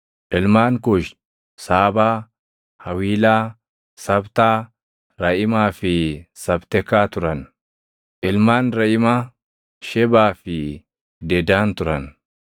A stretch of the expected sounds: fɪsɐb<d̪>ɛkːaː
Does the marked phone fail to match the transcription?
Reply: yes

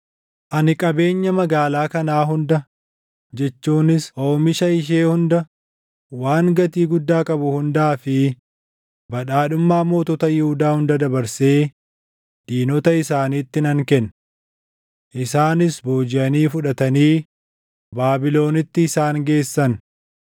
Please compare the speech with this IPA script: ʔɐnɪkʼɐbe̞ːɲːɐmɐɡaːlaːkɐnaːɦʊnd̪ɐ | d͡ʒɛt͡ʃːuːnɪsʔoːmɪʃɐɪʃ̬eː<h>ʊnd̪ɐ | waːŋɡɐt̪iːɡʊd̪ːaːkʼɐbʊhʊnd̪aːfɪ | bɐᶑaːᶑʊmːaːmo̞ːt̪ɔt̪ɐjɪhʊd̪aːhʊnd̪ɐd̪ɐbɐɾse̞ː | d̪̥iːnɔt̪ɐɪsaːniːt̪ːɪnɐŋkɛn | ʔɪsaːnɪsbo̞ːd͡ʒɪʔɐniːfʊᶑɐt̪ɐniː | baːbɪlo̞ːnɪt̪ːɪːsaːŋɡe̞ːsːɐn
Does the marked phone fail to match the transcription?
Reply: no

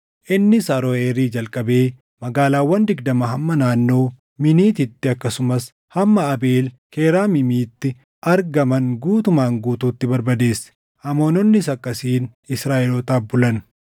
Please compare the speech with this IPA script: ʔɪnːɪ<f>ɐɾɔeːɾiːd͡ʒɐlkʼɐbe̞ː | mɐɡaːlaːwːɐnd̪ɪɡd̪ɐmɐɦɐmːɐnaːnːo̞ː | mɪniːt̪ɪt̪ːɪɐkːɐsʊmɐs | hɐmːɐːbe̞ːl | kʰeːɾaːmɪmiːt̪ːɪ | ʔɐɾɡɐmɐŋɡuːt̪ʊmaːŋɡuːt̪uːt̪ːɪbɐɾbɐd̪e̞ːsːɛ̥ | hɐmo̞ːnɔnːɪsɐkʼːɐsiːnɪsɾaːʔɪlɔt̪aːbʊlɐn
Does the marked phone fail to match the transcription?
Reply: yes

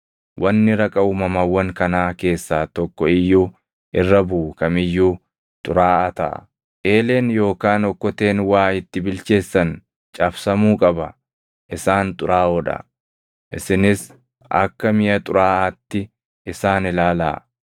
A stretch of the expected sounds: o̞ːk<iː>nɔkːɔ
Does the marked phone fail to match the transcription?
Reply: yes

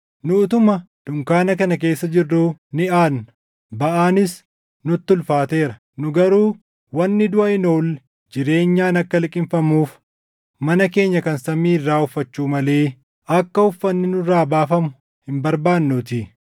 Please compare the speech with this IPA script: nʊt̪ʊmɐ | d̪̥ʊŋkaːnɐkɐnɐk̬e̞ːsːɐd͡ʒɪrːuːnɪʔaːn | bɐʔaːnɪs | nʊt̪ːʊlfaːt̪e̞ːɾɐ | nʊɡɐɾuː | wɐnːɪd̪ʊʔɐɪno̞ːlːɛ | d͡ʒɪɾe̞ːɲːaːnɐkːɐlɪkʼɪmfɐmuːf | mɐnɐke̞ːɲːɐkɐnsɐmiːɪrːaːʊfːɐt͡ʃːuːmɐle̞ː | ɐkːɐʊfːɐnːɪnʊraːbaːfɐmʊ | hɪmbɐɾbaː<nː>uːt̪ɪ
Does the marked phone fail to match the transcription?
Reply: no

